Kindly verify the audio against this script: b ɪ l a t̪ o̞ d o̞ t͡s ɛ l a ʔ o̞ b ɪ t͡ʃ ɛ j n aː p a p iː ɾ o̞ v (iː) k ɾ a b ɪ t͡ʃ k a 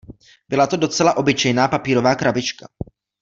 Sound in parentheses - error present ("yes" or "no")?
yes